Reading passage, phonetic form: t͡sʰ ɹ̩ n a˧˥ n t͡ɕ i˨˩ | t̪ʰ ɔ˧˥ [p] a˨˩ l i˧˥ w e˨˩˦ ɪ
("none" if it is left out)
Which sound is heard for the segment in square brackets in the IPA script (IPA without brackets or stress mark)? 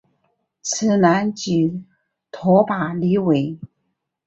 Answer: p